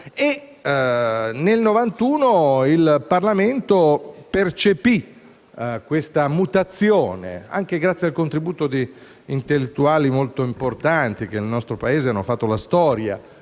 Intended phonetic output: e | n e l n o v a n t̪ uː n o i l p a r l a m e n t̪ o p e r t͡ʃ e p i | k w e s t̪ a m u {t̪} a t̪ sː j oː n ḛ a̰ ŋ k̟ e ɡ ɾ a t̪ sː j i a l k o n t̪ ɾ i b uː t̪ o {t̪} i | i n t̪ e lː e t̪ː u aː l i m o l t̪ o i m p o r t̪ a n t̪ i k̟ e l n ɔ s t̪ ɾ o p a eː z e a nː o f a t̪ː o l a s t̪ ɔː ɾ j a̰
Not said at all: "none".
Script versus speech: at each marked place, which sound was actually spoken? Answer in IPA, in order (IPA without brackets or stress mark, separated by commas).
t̪, d̪